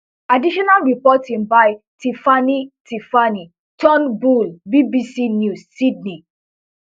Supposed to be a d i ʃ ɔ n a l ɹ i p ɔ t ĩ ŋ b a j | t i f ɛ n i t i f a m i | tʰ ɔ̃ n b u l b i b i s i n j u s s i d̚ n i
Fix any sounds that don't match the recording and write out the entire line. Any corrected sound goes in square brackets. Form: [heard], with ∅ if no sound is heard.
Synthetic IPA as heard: a d i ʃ ɔ n a l ɹ i p ɔ t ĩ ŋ b a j | t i f [a] n i t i f a [n] i | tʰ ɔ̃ n b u l b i b i s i n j u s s i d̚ n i